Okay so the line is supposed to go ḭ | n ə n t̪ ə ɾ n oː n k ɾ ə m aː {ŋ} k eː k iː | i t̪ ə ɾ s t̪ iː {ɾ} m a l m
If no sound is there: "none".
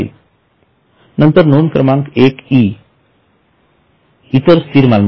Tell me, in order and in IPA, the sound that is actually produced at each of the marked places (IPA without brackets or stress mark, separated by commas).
ŋ, ɾ